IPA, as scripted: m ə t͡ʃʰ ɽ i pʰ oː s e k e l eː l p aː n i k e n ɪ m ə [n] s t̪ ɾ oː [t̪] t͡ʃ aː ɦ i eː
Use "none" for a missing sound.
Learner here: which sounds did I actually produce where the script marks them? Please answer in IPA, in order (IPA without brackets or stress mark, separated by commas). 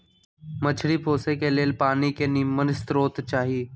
n, t̪